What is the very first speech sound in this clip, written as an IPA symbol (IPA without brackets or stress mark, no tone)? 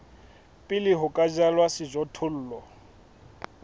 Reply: pʼ